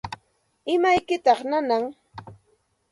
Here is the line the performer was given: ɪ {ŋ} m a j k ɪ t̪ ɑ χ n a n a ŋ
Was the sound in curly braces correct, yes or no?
no